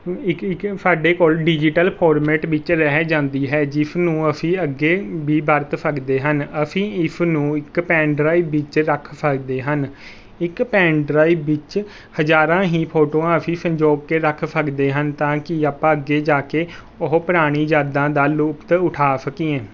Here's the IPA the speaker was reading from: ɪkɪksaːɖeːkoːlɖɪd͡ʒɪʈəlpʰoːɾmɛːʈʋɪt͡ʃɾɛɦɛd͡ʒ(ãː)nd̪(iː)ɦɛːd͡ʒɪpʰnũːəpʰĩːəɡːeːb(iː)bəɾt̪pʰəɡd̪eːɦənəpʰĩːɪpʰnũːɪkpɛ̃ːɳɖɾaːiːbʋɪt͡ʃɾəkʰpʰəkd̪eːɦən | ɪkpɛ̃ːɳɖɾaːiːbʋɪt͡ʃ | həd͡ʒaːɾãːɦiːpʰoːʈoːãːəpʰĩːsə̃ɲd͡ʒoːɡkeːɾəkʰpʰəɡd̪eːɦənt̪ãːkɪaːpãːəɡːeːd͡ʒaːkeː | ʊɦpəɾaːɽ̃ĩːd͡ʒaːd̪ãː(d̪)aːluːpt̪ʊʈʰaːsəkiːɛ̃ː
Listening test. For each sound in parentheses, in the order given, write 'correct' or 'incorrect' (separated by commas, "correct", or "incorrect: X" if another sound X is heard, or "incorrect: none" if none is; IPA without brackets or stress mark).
correct, correct, correct, correct